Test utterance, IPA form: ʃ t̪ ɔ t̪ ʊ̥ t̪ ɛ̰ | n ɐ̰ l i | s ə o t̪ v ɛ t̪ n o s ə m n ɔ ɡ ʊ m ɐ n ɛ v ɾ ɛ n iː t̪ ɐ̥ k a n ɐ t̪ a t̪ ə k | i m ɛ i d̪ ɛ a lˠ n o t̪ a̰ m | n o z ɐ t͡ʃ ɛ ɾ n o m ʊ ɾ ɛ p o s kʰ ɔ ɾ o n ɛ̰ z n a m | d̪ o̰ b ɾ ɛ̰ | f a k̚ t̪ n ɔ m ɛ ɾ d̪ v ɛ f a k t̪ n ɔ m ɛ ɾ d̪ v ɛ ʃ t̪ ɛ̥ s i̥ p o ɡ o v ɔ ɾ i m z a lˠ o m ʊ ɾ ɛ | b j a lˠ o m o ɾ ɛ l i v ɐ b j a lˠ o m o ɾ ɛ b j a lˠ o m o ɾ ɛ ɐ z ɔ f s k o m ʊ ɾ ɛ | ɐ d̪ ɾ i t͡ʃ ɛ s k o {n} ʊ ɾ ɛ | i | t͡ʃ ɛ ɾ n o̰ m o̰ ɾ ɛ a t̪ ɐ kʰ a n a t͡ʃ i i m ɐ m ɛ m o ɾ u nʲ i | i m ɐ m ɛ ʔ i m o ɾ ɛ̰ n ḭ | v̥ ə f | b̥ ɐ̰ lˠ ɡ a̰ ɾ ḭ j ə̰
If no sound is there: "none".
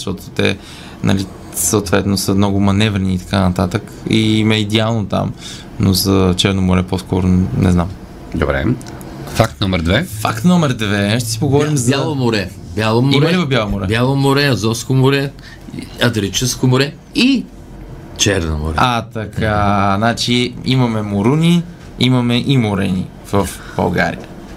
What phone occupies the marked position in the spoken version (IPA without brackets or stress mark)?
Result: m